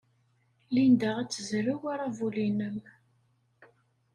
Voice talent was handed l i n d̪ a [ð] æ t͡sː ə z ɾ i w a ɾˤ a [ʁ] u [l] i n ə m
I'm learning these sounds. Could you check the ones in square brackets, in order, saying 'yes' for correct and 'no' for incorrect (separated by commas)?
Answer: no, no, yes